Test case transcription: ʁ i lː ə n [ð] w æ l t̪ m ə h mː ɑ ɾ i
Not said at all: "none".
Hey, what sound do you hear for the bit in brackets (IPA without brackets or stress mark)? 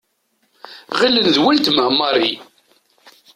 ð